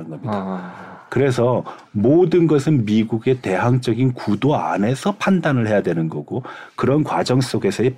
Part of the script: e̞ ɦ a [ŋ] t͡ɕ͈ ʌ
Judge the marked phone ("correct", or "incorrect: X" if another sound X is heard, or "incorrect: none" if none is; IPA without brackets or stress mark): correct